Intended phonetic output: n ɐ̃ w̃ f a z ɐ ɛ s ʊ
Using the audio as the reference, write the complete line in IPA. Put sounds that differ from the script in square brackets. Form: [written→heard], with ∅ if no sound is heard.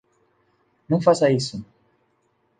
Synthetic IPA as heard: n ɐ̃ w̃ f a [z→s] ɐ [ɛ→i] s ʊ

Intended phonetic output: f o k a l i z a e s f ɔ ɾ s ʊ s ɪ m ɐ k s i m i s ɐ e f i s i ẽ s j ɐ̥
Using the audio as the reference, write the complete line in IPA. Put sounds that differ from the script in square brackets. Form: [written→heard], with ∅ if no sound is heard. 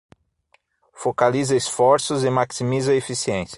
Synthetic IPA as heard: f o k a l i z [a→ɐ] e s f ɔ ɾ s ʊ [s→z] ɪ m [ɐ→a] k s i m i [s→z] ɐ e f i s i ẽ s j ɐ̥

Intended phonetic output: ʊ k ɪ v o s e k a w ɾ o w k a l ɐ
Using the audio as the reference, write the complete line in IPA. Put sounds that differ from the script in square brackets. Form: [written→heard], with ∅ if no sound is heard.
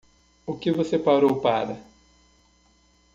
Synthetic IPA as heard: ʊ k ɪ v o s e [k→p] a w ɾ o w [k→p] a [l→ɾ] ɐ

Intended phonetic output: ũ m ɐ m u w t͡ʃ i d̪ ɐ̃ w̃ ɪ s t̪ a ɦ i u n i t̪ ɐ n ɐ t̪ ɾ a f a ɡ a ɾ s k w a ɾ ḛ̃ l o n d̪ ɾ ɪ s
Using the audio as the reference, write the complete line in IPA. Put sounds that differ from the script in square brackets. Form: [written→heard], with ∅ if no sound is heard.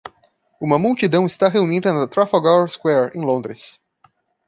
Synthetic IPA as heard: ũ m ɐ m u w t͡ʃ i d̪ ɐ̃ w̃ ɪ s t̪ a ɦ [i→e] u n i [t̪→d̪] ɐ n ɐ t̪ ɾ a f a ɡ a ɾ s k w [a→ɛ] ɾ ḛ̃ l [o→õ] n d̪ ɾ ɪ s

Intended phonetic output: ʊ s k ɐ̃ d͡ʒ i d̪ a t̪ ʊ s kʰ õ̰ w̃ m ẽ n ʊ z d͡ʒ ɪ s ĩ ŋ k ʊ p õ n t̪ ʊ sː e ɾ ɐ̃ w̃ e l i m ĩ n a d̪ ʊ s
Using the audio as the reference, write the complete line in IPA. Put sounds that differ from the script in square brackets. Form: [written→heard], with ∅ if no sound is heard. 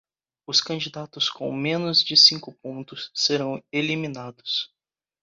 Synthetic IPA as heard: ʊ s k ɐ̃ d͡ʒ i d̪ a t̪ ʊ s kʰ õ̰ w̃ m ẽ n ʊ z d͡ʒ ɪ s ĩ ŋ k ʊ p õ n t̪ ʊ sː e ɾ ɐ̃ w̃ e l i m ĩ n a d̪ ʊ s

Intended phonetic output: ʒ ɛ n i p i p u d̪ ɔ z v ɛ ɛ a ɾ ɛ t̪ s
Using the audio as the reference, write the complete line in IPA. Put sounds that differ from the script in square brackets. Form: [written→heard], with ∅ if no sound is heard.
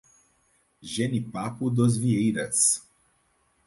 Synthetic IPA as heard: ʒ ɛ n i p [i→a] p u d̪ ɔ z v [ɛ→i] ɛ [a→i] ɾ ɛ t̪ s

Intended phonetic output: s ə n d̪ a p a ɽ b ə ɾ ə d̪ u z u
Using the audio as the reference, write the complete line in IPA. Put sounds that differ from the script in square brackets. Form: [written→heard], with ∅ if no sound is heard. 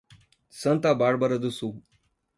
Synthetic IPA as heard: s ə n [d̪→t̪] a [p→b] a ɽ b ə ɾ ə d̪ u [z→s] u

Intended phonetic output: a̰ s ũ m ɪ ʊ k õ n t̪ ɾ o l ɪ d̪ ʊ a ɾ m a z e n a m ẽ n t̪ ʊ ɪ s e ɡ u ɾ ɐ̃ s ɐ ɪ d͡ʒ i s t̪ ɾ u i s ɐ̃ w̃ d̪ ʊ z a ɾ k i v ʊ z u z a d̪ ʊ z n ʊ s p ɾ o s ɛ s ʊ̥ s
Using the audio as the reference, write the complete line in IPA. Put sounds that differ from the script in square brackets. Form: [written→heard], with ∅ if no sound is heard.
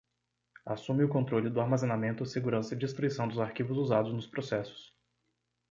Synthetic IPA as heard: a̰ s ũ m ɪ ʊ k õ n t̪ ɾ o l ɪ d̪ ʊ a ɾ m a z e n a m ẽ n t̪ ʊ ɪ s e ɡ u ɾ ɐ̃ s ɐ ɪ d͡ʒ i s t̪ ɾ u i s ɐ̃ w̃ d̪ ʊ z a ɾ k i v ʊ z u z a d̪ ʊ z n ʊ s p ɾ o s ɛ s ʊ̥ s

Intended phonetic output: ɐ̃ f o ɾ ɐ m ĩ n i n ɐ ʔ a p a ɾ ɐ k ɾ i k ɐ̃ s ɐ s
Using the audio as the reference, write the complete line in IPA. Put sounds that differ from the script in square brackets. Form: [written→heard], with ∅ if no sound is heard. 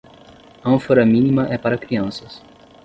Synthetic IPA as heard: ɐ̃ f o ɾ ɐ m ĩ n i [n→m] ɐ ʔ [a→ɛ] p a ɾ ɐ k ɾ i [k→∅] ɐ̃ s ɐ s

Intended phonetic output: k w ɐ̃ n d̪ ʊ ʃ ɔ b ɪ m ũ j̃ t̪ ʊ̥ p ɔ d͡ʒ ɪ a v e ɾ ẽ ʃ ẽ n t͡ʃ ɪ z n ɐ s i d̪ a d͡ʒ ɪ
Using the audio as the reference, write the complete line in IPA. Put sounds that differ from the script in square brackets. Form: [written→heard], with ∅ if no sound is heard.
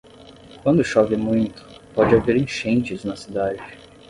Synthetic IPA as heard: k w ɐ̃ n d̪ ʊ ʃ ɔ [b→v] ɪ m ũ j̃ t̪ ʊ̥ p ɔ d͡ʒ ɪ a v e ɾ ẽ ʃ ẽ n t͡ʃ ɪ z n ɐ s i d̪ a d͡ʒ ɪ

